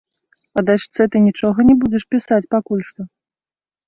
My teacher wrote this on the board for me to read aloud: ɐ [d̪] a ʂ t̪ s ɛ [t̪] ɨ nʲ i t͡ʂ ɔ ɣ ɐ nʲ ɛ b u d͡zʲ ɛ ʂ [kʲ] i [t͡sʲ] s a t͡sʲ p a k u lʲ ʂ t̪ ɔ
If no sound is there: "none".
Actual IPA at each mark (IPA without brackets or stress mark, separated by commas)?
d̪, t̪, pʲ, none